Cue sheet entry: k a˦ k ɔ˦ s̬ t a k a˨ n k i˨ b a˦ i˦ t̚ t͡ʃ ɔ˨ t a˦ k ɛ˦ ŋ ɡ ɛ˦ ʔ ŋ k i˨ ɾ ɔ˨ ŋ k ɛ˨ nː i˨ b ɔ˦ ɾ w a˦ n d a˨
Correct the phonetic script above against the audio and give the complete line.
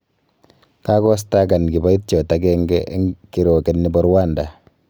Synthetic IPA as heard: k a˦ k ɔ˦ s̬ t a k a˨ n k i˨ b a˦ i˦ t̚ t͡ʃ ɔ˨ t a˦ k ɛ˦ ŋ ɡ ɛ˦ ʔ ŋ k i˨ ɾ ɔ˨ k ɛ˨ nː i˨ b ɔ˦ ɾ w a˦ n d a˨